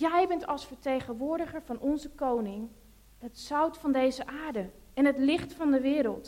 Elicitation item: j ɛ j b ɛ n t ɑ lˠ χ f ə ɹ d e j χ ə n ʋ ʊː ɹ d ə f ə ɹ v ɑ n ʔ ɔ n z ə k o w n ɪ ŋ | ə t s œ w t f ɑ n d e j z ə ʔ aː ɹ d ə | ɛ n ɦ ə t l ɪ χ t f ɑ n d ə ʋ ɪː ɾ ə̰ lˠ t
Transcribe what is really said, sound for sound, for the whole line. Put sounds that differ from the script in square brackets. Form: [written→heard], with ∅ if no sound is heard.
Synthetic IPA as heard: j ɛ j b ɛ n t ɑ lˠ [χ→s] f ə ɹ [d→t] e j χ ə n ʋ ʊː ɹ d ə [f→χ] ə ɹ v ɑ n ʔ ɔ n z ə k o w n ɪ ŋ | ə t s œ w t f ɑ n d e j z ə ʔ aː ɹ d ə | ɛ n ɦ ə t l ɪ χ t f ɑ n d ə ʋ ɪː ɾ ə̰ lˠ t